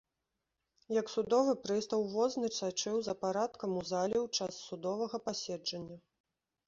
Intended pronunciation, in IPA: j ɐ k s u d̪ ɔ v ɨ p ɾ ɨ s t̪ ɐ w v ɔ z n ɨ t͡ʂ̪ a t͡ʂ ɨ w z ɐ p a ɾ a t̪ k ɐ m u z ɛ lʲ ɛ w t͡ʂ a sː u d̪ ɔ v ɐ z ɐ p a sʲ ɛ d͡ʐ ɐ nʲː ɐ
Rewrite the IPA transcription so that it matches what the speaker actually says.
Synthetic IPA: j ɐ k s u d̪ ɔ v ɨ p ɾ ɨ s t̪ ɐ w v ɔ z n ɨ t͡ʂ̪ a t͡ʂ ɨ w z ɐ p a ɾ a t̪ k ɐ m u z a lʲ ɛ w t͡ʂ a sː u d̪ ɔ v ɐ ɣ ɐ p a sʲ ɛ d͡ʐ ɐ nʲː ɐ